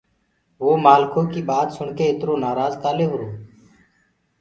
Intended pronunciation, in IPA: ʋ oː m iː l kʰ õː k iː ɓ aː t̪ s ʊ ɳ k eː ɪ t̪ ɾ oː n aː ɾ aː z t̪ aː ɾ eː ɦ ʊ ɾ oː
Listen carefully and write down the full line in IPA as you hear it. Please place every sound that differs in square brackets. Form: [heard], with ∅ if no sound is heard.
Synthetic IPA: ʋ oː m [aː] l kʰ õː k iː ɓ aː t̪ s ʊ ɳ k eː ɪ t̪ ɾ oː n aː ɾ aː z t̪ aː [l] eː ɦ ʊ ɾ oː